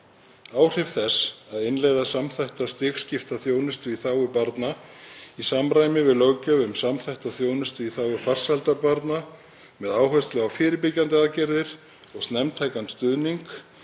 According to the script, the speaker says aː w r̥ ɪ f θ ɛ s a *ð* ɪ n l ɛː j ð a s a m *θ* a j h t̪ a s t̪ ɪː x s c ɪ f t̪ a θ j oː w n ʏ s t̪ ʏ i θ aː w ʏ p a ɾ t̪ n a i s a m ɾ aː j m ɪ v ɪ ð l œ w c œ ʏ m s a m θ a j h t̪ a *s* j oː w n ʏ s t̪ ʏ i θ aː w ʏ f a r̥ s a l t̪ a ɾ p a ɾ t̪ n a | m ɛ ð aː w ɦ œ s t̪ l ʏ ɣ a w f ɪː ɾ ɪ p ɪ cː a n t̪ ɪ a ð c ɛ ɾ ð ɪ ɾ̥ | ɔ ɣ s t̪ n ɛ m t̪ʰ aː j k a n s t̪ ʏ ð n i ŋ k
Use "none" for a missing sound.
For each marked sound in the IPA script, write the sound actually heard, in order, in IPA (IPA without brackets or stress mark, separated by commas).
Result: ð, θ, θ